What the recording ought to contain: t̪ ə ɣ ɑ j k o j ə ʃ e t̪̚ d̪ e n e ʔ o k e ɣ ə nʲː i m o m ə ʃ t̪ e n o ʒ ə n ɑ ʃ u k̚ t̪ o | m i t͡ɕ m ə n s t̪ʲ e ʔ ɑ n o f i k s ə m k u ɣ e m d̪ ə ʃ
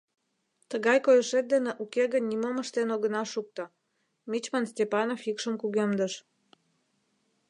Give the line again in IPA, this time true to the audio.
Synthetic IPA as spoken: t̪ ə ɣ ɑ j k o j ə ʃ e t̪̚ d̪ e n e ʔ u k e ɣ ə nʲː i m o m ə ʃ t̪ e n o ɣ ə n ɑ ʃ u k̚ t̪ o | m i t͡ɕ m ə n s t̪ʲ e p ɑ n o f i k ʃ ə m k u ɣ e m d̪ ə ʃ